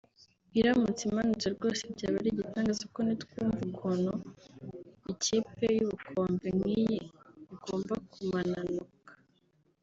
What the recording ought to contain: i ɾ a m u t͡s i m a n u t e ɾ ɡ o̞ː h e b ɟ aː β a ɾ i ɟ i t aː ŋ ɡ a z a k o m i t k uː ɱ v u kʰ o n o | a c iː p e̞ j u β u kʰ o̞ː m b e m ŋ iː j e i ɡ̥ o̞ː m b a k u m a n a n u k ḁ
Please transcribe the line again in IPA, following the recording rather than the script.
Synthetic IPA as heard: i ɾ a m u t͡s i m a n u t͡s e ɾ ɡ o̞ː s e b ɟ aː β a ɾ i ɟ i t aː ŋ ɡ a z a k o n i t k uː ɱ v u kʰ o n o | i c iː p e̞ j u β u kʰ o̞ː m b e m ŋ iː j e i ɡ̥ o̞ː m b a k u m a n a n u k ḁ